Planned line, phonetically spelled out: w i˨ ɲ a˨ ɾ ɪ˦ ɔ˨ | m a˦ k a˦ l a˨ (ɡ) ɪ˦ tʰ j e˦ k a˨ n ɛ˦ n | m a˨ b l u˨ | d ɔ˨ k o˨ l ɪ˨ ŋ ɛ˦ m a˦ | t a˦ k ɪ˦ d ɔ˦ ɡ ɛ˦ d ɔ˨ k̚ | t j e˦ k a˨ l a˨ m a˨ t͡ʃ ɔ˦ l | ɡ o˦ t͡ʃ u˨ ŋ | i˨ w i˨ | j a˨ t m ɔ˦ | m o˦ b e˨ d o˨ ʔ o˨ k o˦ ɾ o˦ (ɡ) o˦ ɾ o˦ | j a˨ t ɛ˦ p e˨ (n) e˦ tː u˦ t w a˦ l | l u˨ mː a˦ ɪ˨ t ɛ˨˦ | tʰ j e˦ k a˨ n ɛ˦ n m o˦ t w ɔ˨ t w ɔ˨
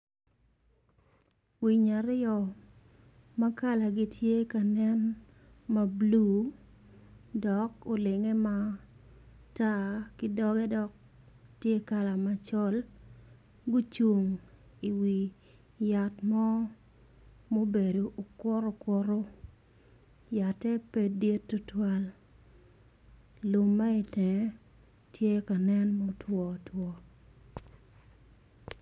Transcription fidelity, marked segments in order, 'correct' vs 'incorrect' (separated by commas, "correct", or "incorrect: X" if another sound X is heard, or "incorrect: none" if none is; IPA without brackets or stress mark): correct, incorrect: k, incorrect: d